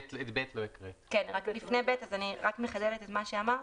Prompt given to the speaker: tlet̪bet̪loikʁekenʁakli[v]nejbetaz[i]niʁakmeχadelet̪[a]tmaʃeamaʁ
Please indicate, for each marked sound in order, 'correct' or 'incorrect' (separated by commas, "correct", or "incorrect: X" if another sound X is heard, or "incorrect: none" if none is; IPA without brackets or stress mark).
incorrect: f, incorrect: a, incorrect: e